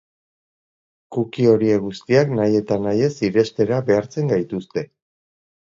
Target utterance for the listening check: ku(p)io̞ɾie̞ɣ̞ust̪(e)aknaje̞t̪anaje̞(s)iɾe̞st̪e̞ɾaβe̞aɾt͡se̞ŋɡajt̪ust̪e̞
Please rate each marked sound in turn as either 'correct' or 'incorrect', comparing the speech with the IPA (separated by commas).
incorrect, incorrect, correct